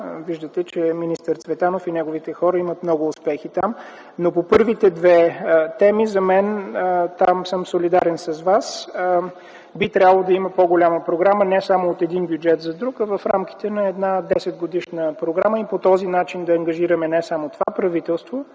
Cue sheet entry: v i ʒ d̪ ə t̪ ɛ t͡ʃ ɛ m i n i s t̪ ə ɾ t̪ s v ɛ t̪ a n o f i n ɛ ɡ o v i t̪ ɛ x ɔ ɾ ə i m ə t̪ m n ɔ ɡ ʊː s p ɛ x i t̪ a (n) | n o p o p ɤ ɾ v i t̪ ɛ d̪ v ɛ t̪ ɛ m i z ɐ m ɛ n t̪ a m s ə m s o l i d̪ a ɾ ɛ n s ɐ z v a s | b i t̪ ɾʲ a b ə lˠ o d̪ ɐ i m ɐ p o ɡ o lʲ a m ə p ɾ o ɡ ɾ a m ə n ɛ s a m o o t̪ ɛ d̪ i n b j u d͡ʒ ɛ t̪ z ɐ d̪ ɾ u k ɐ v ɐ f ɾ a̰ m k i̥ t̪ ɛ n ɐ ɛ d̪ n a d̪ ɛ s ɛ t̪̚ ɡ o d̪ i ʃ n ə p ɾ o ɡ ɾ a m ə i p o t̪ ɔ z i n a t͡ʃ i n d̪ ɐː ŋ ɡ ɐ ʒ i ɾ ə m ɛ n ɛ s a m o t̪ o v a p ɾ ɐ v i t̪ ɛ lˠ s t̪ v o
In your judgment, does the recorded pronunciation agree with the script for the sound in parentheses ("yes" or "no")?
no